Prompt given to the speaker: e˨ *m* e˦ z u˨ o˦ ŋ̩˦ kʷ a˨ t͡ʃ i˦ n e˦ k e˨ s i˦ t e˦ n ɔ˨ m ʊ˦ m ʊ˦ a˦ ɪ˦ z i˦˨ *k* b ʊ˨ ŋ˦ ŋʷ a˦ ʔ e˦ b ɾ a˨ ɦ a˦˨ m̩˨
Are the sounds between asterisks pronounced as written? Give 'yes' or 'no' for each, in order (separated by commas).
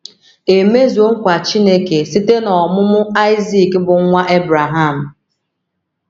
yes, yes